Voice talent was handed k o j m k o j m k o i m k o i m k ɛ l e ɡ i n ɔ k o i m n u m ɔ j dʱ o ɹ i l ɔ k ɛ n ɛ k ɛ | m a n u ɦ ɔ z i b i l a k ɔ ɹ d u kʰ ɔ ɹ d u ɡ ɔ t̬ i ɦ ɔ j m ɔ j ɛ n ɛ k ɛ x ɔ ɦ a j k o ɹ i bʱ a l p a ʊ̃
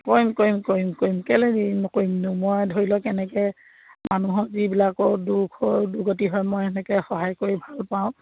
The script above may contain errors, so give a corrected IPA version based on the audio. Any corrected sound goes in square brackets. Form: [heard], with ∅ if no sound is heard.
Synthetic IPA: k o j m k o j m k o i m k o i m k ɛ l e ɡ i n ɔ k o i m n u m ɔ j dʱ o ɹ i l ɔ k ɛ n ɛ k ɛ | m a n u ɦ ɔ z i b i l a k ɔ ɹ d u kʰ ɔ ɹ d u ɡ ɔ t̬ i ɦ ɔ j m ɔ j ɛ n ɛ k ɛ x ɔ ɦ a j k o ɹ i bʱ a l p a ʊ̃